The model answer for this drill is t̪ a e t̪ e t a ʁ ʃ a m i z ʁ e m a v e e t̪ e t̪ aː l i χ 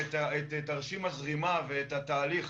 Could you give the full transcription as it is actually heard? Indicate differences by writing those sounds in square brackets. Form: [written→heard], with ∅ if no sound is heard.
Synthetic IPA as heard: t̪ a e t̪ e t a ʁ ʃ [a→i] m [i→a] z ʁ [e→i] m a v e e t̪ [e→a] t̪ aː l i χ